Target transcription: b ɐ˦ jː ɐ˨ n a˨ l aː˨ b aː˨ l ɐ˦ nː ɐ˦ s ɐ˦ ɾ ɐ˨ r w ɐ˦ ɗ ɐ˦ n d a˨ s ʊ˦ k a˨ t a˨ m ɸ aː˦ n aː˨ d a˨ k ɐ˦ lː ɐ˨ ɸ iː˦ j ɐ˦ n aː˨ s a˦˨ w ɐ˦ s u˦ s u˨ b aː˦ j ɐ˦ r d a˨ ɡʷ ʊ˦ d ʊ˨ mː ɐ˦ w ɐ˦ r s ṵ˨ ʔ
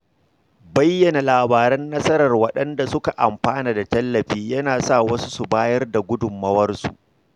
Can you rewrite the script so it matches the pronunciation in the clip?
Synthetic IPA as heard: b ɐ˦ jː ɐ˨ n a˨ l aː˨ b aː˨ ɾ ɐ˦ nː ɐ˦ s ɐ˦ ɾ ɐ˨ r w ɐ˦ ɗ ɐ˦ n d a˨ s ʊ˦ k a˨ ʔ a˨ m ɸ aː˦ n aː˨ d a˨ t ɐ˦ lː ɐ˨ ɸ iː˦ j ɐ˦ n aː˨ s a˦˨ w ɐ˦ s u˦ s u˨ b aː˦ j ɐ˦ r d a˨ ɡʷ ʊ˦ d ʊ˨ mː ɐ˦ w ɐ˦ r s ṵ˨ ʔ